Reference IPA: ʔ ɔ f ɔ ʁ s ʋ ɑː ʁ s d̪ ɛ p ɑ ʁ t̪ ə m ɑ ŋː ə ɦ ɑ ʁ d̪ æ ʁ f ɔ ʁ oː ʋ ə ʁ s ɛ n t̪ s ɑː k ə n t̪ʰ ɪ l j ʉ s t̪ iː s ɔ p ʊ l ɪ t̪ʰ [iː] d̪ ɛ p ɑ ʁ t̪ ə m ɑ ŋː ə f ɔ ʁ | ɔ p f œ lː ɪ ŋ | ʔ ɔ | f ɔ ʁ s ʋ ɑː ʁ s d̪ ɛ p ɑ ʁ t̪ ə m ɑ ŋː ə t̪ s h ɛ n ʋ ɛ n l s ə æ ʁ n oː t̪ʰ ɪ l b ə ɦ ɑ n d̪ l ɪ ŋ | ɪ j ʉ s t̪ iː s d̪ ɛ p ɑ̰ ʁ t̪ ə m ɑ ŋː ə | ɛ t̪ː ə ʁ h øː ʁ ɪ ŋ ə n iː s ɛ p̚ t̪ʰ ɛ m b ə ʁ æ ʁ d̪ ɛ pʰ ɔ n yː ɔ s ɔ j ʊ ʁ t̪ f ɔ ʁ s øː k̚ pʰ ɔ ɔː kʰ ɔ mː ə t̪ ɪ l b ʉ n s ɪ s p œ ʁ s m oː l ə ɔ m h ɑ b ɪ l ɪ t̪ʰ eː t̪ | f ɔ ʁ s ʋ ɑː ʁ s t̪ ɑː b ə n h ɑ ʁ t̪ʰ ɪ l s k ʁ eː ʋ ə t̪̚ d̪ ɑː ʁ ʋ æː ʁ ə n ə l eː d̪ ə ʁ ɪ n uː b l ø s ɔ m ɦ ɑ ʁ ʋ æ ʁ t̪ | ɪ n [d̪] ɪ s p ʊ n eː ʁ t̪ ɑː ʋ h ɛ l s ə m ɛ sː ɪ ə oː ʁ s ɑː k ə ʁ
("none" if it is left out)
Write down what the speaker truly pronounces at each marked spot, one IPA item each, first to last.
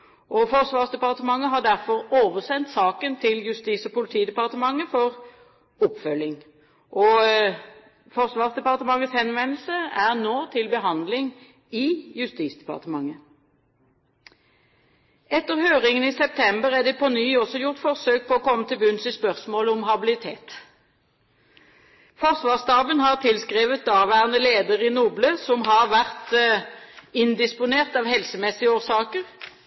iː, d̪

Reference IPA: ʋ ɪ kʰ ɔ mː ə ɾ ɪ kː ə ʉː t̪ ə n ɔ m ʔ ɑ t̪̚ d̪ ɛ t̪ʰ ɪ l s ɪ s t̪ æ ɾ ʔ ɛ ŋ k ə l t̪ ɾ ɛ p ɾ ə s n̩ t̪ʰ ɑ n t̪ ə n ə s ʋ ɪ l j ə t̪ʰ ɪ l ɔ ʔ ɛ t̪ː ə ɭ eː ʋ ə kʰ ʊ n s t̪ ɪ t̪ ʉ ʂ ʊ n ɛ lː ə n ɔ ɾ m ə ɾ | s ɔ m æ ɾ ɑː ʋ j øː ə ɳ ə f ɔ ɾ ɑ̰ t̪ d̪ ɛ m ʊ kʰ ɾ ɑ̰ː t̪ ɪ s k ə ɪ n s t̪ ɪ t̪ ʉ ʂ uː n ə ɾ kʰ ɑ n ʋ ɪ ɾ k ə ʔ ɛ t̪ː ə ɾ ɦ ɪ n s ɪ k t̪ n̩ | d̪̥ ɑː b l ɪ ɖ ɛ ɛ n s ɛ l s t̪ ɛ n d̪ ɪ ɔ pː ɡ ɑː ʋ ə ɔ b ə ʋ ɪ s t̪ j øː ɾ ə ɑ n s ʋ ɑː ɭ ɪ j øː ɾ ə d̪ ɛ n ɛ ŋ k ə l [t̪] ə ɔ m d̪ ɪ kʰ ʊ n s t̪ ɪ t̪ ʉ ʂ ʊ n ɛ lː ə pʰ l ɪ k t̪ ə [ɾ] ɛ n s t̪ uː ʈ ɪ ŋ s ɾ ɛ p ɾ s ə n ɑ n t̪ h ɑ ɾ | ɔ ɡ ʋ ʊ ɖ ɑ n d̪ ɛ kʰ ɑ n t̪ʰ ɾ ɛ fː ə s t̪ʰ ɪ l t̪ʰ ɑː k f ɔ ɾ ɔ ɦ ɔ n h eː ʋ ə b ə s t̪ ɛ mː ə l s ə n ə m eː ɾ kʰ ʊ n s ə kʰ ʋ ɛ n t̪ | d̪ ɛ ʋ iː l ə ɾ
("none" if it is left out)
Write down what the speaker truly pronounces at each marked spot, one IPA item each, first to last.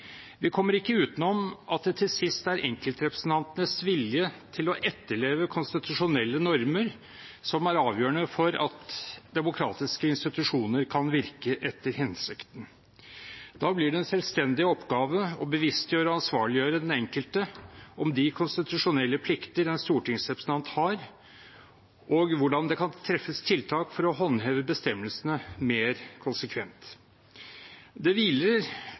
t̪, ɾ

